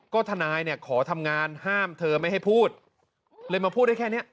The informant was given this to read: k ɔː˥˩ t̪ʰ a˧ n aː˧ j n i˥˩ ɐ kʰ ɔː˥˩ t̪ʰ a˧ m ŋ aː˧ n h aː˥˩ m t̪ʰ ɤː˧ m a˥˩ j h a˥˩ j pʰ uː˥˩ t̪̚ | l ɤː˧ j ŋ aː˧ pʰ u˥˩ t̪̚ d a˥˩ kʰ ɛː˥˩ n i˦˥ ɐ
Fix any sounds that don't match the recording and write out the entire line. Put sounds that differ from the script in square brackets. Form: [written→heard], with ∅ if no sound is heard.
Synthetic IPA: k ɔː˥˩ t̪ʰ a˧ n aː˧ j n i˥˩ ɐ kʰ [ɔː˥˩→ɔː˩˦] t̪ʰ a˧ m ŋ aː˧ n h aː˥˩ m t̪ʰ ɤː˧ m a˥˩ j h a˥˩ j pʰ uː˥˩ t̪̚ | l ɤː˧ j [ŋ→m] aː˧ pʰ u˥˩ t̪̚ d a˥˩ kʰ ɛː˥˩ n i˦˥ ɐ